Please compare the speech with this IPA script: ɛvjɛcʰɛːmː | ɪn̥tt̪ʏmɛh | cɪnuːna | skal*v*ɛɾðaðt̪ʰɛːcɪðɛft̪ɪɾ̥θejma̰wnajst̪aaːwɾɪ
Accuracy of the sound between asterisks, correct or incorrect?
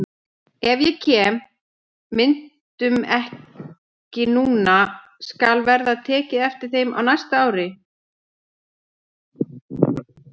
correct